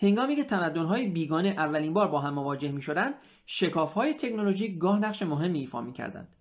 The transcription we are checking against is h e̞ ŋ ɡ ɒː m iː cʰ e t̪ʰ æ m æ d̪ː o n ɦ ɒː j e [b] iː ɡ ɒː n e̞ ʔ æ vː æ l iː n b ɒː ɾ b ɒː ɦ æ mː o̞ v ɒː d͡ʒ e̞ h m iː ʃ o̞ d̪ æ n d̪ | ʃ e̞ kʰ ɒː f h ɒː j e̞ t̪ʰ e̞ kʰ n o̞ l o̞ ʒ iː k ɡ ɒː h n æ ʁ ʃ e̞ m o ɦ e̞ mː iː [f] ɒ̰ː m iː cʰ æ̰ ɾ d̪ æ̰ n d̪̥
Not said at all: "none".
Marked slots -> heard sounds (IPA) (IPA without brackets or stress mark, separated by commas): b, f